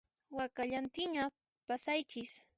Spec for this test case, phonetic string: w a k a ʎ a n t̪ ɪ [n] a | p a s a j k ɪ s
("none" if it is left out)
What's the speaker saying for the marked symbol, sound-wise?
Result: ɲ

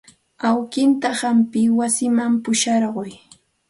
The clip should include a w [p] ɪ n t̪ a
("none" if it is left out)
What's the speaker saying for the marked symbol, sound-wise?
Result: k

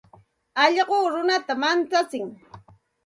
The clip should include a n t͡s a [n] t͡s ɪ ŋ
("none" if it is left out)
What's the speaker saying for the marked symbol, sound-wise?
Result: none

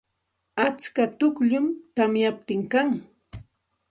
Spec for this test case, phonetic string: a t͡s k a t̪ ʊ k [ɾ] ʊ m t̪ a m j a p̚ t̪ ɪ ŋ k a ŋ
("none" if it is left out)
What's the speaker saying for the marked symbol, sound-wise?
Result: ʎ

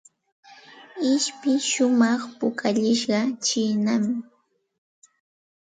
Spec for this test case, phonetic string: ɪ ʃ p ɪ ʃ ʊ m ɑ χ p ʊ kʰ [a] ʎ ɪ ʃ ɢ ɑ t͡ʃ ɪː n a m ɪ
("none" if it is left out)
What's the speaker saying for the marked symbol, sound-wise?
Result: a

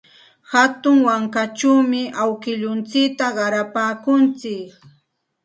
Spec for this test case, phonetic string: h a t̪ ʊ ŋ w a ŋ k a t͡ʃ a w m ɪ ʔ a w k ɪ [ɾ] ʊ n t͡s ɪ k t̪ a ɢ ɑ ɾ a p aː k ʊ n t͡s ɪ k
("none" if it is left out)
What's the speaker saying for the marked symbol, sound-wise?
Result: ʎ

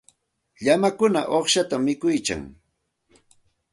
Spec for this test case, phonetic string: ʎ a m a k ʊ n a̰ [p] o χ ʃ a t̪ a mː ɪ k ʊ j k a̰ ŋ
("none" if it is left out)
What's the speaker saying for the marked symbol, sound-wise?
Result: ʔ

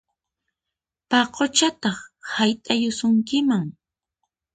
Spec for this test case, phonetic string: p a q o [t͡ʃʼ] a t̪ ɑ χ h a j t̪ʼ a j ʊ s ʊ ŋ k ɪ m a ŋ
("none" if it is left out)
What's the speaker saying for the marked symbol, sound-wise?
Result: t͡ʃ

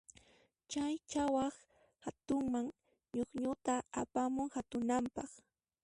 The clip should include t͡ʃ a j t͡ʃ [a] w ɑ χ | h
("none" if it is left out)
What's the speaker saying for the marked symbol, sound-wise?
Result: a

